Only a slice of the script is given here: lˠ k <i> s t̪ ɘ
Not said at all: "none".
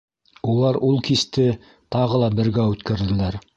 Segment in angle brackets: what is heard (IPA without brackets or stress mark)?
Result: i